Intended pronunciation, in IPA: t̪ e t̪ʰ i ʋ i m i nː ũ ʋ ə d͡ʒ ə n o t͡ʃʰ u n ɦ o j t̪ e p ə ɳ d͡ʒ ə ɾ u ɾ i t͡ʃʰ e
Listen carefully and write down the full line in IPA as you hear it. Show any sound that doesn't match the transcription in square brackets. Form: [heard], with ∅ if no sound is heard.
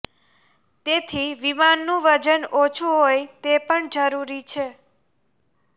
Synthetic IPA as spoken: t̪ e t̪ʰ i ʋ i m [a] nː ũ ʋ ə d͡ʒ ə n o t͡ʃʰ u [∅] ɦ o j t̪ e p ə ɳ d͡ʒ ə ɾ u ɾ i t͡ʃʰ e